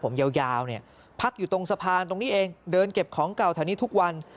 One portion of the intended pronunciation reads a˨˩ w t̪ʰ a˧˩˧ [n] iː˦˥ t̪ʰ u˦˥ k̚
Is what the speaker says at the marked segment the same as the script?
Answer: yes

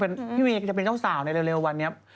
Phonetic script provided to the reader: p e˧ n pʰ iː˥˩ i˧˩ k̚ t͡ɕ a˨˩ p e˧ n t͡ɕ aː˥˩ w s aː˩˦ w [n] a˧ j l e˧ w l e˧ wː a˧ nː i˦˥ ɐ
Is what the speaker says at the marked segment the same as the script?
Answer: yes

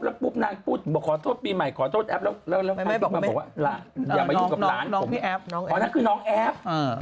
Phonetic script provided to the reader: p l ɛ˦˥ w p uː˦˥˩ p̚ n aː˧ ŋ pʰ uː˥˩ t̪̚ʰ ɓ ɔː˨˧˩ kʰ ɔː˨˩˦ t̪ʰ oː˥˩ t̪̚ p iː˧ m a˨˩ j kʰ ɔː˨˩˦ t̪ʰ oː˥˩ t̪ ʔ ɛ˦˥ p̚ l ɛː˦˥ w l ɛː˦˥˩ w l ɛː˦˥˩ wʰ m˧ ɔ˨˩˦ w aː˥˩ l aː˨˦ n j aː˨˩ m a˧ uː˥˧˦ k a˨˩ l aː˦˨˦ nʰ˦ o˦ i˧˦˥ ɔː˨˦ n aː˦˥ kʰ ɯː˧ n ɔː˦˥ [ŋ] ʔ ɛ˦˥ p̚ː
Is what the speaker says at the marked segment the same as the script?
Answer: yes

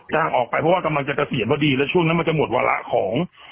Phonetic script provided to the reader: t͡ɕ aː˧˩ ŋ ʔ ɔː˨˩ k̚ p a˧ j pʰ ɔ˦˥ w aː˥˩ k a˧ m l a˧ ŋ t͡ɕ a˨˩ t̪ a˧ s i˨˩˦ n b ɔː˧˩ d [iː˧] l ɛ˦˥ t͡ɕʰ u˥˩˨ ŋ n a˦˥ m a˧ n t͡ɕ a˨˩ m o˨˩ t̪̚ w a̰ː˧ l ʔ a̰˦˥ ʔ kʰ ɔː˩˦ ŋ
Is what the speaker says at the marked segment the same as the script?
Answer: yes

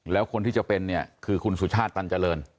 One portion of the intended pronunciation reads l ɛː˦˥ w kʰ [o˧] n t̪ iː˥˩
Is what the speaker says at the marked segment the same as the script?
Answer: yes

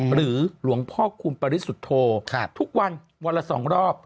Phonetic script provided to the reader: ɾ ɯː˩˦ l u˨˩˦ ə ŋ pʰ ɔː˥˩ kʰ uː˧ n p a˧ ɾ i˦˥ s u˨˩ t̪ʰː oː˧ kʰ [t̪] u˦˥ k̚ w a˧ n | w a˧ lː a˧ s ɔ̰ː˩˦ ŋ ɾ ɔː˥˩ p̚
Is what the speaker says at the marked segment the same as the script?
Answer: no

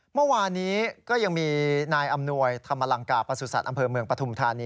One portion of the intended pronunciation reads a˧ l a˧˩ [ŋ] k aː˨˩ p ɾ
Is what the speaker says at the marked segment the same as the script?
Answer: yes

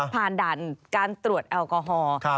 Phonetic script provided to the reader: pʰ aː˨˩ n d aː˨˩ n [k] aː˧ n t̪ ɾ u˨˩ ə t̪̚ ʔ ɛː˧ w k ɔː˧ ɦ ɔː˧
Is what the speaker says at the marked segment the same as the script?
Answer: yes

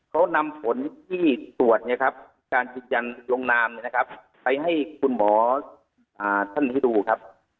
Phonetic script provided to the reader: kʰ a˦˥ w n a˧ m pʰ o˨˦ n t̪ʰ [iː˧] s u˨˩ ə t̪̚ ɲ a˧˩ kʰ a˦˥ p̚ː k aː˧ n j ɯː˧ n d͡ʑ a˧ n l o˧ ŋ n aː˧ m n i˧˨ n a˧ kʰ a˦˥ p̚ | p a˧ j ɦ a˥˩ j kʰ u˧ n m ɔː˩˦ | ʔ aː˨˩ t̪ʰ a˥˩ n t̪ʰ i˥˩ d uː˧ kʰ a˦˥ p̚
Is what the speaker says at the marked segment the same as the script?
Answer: no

